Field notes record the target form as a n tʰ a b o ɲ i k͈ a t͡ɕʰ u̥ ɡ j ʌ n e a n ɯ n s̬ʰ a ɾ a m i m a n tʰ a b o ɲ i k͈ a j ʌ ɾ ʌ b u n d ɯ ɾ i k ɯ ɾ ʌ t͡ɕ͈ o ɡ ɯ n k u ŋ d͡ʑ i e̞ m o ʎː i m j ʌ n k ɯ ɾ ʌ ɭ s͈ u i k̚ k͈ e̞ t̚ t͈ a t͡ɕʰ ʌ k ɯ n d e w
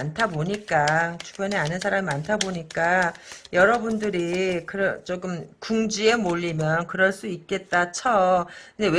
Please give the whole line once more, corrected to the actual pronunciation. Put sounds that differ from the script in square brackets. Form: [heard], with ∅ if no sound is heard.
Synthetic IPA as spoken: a n tʰ a b o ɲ i k͈ a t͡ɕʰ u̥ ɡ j ʌ n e a n ɯ n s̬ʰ a ɾ a m i m a n tʰ a b o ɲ i k͈ a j ʌ ɾ ʌ b u n d ɯ ɾ i k ɯ ɾ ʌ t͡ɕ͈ o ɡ ɯ [m] k u ŋ d͡ʑ i e̞ m o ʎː i m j ʌ n k ɯ ɾ ʌ ɭ s͈ u i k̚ k͈ e̞ t̚ t͈ a t͡ɕʰ ʌ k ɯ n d e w